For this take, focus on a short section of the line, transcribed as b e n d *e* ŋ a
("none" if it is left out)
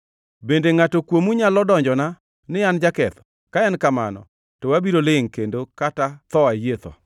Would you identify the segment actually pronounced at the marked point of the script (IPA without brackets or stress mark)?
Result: e